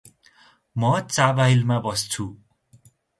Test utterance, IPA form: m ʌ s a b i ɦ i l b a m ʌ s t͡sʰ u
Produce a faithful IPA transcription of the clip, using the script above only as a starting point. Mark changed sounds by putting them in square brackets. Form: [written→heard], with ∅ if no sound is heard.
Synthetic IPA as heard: m ʌ [s→t͡s] a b [i→a] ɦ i l [b→m] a [m→b] ʌ s t͡sʰ u